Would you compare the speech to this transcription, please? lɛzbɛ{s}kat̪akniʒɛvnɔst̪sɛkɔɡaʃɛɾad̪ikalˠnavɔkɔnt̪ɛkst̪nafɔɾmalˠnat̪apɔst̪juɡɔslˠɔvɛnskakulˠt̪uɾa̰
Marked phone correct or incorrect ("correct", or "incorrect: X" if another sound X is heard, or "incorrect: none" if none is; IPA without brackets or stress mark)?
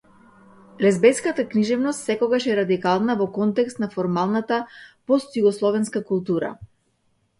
correct